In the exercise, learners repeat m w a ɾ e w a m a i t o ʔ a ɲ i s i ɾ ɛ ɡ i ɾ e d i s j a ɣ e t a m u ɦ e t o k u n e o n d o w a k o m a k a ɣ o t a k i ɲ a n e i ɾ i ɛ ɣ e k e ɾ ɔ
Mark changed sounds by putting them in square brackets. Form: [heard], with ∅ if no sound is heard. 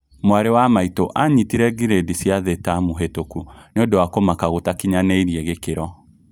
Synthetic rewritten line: m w a ɾ e w a m a i t o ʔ a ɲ i [t] i ɾ ɛ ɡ i ɾ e d i s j a [ð] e t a m u ɦ e t o k u n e o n d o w a k o m a k a ɣ o t a k i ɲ a n e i ɾ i ɛ ɣ e k e ɾ ɔ